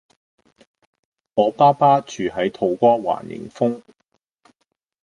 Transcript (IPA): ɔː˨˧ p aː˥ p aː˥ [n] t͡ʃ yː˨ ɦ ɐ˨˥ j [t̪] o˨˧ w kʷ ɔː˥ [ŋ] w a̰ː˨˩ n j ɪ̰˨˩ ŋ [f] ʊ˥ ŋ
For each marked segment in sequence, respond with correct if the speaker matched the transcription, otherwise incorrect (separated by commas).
incorrect, incorrect, incorrect, correct